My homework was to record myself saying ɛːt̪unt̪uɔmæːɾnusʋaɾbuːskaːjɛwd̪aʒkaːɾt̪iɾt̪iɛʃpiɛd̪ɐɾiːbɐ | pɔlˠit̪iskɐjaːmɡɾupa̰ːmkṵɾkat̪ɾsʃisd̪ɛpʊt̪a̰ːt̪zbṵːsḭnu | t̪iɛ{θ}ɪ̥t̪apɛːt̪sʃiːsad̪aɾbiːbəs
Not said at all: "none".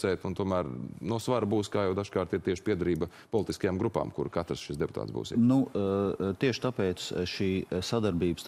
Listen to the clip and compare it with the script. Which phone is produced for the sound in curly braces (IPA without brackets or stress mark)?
ʃ